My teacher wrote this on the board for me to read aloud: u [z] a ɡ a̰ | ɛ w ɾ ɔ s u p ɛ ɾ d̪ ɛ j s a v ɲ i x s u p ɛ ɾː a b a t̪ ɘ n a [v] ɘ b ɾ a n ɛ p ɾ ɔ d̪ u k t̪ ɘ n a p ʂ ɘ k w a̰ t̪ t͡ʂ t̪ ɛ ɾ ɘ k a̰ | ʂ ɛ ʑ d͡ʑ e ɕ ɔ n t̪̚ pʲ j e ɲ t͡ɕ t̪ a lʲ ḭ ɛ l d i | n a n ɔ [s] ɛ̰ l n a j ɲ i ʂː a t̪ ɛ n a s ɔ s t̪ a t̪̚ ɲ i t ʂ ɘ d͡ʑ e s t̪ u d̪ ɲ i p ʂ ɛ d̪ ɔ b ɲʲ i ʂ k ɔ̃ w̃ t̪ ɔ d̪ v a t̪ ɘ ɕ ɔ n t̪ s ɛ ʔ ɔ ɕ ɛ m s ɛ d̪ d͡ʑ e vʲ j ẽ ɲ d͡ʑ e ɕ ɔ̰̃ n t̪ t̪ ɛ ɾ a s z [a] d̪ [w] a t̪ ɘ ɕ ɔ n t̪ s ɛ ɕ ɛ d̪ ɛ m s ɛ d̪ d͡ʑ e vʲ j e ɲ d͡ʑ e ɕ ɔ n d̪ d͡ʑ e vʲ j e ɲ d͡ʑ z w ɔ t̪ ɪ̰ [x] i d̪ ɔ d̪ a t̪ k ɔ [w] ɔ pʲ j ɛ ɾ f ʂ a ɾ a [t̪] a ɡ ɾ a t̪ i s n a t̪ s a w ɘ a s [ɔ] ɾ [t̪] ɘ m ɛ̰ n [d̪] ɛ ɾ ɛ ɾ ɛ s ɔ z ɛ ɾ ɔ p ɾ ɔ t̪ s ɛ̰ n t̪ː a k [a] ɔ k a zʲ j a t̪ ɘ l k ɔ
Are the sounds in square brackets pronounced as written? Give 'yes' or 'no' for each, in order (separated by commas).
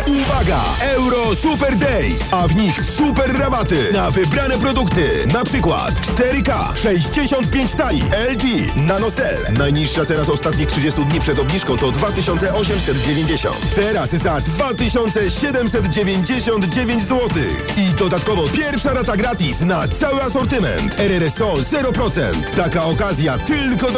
no, yes, yes, yes, no, yes, no, yes, yes, yes, no, yes